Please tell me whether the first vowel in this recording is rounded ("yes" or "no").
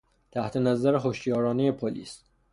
no